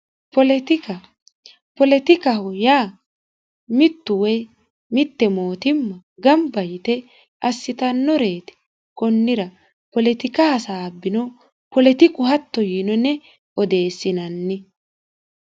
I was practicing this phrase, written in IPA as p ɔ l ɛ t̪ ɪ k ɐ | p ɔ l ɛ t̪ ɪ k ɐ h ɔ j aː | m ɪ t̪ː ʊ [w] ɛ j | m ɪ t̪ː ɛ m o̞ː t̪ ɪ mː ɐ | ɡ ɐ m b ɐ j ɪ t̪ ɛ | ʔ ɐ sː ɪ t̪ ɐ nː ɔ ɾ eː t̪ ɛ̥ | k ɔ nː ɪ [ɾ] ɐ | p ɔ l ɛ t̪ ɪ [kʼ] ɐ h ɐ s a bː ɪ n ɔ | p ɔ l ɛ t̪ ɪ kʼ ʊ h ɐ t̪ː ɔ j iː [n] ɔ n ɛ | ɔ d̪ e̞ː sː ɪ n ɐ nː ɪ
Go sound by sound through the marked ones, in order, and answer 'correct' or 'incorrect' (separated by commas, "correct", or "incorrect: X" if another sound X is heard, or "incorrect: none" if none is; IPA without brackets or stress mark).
correct, correct, incorrect: k, correct